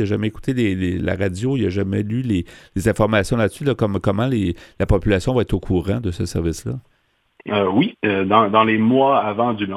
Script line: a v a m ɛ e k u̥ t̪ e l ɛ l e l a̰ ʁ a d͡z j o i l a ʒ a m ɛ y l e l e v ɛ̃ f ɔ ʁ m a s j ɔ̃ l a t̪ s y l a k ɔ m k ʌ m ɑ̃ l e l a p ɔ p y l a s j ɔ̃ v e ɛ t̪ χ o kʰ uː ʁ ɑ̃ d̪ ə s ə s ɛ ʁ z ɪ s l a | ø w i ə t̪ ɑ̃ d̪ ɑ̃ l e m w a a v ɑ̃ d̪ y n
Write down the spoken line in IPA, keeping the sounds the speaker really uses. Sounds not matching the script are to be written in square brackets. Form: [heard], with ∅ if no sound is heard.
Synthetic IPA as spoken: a [ʒ] a m ɛ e k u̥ t̪ e l [e] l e l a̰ ʁ a d͡z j o i l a ʒ a m ɛ y l e l e [z] ɛ̃ f ɔ ʁ m a s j ɔ̃ l a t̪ s y l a k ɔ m k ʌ m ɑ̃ l e l a p ɔ p y l a s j ɔ̃ v [a] ɛ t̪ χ o kʰ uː ʁ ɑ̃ d̪ ə s ə s ɛ ʁ [v] ɪ s l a | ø w i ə [d̪] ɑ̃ d̪ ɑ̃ l e m w a a v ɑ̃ d̪ y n